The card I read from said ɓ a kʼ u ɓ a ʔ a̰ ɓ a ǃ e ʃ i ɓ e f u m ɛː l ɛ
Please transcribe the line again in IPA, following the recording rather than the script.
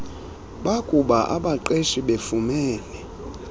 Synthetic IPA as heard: ɓ a kʼ u ɓ a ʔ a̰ ɓ a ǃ e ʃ i ɓ e f u m ɛː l ɛ